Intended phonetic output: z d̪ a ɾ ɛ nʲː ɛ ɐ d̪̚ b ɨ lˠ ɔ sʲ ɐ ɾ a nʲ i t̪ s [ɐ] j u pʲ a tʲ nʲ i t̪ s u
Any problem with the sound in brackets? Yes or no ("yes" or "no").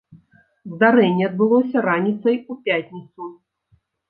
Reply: no